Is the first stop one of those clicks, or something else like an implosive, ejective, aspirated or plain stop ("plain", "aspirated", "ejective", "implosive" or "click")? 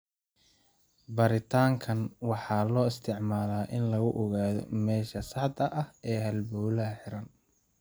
plain